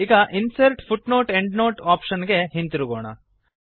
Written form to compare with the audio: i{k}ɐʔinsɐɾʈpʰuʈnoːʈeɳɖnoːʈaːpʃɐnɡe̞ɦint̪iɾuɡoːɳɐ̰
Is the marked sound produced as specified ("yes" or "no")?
no